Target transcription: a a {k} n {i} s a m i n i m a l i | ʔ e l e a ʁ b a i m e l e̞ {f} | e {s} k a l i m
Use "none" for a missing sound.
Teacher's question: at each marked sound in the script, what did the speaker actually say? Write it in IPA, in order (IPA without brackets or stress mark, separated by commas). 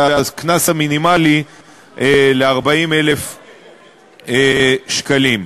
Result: k, a, f, ʃ